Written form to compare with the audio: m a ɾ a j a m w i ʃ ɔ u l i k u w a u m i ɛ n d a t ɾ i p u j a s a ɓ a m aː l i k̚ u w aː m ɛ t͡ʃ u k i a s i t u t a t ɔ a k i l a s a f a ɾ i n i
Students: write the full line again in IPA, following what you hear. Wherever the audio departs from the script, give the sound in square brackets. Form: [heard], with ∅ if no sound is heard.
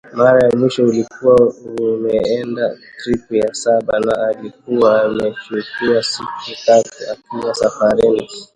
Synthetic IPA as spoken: m a ɾ a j a m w i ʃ ɔ u l i k u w a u m [ɛ] ɛ n d a t ɾ i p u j a s a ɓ a [n] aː l i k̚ u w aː m ɛ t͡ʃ u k i a s i [k] u t a t [u] a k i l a s a f a ɾ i n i